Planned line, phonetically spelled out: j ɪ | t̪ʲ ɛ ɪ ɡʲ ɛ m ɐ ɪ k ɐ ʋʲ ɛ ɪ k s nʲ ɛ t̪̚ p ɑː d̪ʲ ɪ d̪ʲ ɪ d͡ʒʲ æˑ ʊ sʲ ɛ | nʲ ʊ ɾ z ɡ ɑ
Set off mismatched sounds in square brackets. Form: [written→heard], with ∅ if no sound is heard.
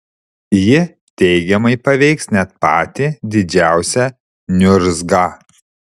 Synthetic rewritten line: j ɪ | t̪ʲ ɛ ɪ ɡʲ ɛ m ɐ ɪ [k→p] ɐ ʋʲ ɛ ɪ k s nʲ ɛ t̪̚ p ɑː [d̪ʲ→t̪ʲ] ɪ d̪ʲ ɪ d͡ʒʲ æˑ ʊ sʲ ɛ | nʲ ʊ ɾ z ɡ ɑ